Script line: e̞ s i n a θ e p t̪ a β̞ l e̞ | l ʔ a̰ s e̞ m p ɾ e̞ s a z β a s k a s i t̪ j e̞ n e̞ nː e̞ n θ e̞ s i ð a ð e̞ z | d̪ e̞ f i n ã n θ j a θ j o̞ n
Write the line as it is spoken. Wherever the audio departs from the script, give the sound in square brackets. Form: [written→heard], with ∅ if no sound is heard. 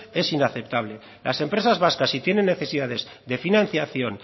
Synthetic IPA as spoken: e̞ s i n a θ e p t̪ a β̞ l e̞ | l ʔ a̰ s e̞ m p ɾ e̞ s a z β a s k a s i t̪ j e̞ n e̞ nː e̞ [n→∅] θ e̞ s i ð a ð e̞ z | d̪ e̞ f i n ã n θ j a θ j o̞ n